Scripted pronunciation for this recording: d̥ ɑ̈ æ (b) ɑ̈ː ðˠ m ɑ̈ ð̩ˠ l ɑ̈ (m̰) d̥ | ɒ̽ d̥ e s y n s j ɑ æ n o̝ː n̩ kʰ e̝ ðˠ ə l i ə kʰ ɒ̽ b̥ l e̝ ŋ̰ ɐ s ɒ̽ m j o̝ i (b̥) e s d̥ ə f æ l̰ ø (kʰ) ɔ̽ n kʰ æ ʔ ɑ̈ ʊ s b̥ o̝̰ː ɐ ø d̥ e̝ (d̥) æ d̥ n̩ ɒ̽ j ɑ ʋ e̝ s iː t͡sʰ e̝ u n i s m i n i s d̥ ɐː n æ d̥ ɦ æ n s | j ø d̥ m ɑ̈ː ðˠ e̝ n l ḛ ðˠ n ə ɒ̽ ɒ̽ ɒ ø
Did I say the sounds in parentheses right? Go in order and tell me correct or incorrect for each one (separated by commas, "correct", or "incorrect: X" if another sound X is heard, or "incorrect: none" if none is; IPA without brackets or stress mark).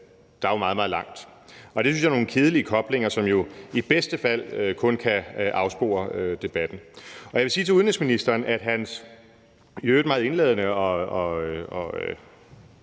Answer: incorrect: m, incorrect: ŋ̰, correct, correct, incorrect: b̥